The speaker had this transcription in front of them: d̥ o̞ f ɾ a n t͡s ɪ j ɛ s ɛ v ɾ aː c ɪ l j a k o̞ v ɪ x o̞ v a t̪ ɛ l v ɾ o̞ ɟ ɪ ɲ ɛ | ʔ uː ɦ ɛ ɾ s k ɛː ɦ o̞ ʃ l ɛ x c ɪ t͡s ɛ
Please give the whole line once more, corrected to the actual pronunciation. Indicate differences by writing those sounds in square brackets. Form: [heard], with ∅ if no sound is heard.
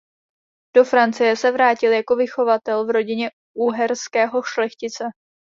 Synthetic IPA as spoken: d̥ o̞ f ɾ a n t͡s ɪ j ɛ s ɛ v ɾ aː c ɪ l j a k o̞ v ɪ x o̞ v a t̪ ɛ l v ɾ o̞ ɟ ɪ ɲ ɛ | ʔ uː ɦ ɛ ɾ s k ɛː ɦ o̞ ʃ l ɛ x c ɪ t͡s ɛ